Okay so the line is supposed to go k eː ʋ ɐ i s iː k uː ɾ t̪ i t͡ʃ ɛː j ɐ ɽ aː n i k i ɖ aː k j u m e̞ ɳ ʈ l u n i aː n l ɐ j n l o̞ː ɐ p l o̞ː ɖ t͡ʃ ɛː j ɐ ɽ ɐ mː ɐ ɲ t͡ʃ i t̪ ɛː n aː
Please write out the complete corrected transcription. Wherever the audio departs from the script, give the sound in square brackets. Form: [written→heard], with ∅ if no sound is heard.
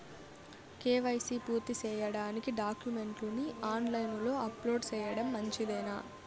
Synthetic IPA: k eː ʋ ɐ [i→j] s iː [k→p] uː ɾ t̪ i t͡ʃ ɛː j ɐ ɽ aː n i k i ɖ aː k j u m e̞ ɳ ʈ l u n i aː n l ɐ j n l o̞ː ɐ p l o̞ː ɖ t͡ʃ ɛː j ɐ ɽ ɐ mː ɐ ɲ t͡ʃ i [t̪→d̪] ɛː n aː